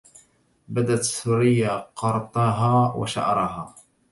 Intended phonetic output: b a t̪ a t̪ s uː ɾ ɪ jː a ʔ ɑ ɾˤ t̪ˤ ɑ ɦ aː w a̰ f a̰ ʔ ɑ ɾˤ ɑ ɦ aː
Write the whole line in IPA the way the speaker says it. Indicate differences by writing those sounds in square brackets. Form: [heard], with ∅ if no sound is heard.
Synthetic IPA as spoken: b a [d̪] a t̪ s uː ɾ ɪ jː a [q] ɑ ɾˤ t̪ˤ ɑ ɦ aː w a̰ [ʃ] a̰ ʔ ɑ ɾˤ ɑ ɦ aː